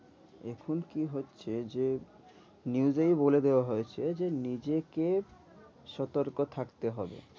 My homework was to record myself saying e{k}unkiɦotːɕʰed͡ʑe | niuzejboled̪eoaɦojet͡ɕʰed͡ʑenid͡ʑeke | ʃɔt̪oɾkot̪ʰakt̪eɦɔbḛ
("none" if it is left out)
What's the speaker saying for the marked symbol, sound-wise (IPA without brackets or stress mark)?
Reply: kʰ